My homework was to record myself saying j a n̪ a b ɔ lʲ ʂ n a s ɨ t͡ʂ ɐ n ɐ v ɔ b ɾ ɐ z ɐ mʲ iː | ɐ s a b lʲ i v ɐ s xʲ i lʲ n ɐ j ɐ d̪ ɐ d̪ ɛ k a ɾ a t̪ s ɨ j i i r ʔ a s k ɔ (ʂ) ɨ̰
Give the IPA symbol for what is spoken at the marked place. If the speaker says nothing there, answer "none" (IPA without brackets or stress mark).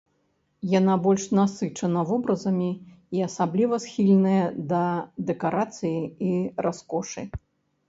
ʂ